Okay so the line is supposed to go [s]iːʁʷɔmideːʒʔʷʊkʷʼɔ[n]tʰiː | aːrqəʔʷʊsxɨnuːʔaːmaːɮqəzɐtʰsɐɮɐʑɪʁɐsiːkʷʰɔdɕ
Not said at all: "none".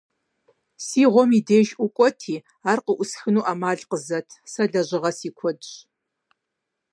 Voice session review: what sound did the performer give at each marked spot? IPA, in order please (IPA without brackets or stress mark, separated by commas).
s, none